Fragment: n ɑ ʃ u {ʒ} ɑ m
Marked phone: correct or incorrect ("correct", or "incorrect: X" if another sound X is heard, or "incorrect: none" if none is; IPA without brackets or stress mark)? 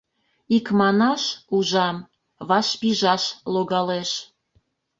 correct